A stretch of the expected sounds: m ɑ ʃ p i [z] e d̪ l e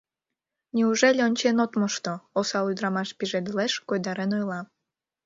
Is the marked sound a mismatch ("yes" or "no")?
yes